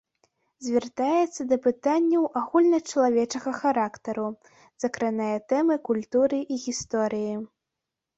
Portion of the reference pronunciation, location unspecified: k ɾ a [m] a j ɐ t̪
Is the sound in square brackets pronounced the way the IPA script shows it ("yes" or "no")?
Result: no